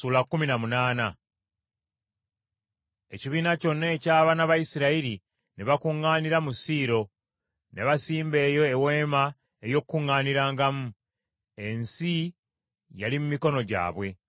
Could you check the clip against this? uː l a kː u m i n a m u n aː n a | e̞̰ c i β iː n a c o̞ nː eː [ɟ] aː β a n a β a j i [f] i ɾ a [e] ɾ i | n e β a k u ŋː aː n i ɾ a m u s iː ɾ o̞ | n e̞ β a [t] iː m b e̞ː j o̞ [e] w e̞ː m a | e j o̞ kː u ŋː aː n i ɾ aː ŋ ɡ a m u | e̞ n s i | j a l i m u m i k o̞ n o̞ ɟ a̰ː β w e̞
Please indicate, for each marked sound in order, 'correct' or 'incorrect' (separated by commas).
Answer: incorrect, incorrect, incorrect, incorrect, correct